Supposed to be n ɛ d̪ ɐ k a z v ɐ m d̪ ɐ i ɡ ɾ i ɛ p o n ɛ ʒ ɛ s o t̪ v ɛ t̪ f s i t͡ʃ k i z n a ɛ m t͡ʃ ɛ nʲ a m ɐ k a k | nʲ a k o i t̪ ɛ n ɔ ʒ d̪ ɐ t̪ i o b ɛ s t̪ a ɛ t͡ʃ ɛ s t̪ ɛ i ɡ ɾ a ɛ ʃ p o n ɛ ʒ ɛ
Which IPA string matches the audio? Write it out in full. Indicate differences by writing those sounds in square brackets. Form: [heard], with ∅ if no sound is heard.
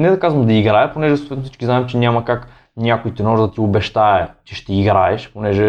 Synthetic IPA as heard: n ɛ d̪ ɐ k a z v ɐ m d̪ ɐ i ɡ ɾ [a] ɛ p o n ɛ ʒ ɛ s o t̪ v ɛ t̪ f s i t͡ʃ k i z n a ɛ m t͡ʃ ɛ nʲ a m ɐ k a k | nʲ a k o i t̪ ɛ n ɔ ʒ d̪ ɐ t̪ i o b ɛ [ʃ] t̪ a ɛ t͡ʃ ɛ [ʃ] t̪ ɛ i ɡ ɾ a ɛ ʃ p o n ɛ ʒ ɛ